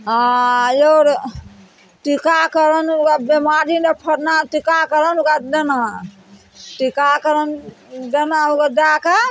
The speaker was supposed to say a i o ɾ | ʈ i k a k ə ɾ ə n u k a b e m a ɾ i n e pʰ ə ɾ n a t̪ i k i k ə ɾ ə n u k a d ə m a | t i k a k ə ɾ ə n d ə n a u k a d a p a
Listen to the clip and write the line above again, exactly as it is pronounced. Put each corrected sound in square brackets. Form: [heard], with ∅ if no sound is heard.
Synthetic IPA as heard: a [j] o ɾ | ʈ i k a k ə ɾ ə n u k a b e m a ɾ i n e pʰ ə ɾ n a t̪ i k [a] k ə ɾ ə n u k a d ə [n] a | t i k a k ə ɾ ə n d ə n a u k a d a [k] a